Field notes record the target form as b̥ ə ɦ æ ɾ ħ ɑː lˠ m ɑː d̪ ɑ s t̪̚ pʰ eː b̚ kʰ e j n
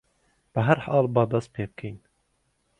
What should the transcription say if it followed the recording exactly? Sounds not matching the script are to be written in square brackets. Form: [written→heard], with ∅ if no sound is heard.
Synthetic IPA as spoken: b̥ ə ɦ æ ɾ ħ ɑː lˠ [m→b] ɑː d̪ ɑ s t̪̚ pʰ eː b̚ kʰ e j n